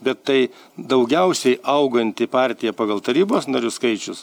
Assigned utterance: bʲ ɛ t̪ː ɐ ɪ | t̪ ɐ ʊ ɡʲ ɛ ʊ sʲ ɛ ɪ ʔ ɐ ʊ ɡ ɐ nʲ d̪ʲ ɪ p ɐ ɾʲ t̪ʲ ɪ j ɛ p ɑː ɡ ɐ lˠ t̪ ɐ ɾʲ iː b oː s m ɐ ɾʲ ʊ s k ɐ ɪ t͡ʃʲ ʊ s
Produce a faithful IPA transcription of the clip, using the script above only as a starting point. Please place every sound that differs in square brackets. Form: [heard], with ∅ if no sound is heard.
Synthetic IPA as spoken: bʲ ɛ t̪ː ɐ ɪ | [d̪] ɐ ʊ ɡʲ ɛ ʊ sʲ ɛ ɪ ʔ ɐ ʊ ɡ ɐ nʲ [t̪ʲ] ɪ p [ɑ] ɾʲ t̪ʲ ɪ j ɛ p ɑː ɡ ɐ lˠ t̪ ɐ ɾʲ iː b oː s [n] ɐ ɾʲ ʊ s k ɐ ɪ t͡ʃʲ ʊ s